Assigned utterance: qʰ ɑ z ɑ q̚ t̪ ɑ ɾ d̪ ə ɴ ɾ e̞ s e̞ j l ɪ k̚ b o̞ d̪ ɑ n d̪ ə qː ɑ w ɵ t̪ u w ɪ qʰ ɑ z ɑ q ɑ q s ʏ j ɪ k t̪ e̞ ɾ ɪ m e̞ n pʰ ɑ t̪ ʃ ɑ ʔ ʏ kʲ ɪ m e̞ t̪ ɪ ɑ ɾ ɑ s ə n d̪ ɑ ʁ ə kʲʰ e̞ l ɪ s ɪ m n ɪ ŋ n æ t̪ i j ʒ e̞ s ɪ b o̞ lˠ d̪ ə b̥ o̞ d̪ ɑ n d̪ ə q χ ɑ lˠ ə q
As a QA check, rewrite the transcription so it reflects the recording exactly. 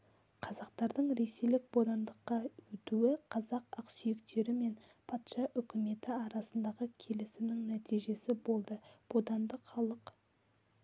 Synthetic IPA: qʰ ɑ z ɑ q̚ t̪ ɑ ɾ d̪ ə ɴ ɾ e̞ s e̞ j l ɪ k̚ b o̞ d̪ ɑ n d̪ ə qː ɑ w ɵ t̪ u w ɪ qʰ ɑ z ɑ q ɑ q s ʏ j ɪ k t̪ e̞ ɾ ɪ m e̞ n pʰ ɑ t̪ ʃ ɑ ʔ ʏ kʲ ɪ m e̞ t̪ ɪ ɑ ɾ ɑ s ə n d̪ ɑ ʁ ə kʲʰ e̞ l ɪ s ɪ m n ɪ ŋ n æ t̪ i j ʒ e̞ s ɪ b o̞ lˠ d̪ ə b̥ o̞ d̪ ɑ n d̪ ə q χ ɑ lˠ ə q